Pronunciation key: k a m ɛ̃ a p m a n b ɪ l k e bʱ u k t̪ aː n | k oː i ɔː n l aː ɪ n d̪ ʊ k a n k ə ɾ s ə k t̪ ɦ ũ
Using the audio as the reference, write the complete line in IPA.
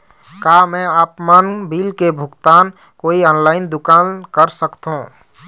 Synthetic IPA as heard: k a m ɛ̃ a p m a n b i l k e bʱ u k t̪ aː n | k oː i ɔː n l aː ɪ n d̪ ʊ k a n k ə ɾ s ə k t̪ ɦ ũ